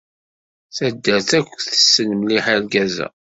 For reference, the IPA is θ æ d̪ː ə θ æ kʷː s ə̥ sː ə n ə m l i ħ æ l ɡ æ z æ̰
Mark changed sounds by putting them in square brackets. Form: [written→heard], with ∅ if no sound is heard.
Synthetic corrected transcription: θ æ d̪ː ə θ æ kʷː [s→θ] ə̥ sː ə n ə m l i ħ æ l ɡ æ z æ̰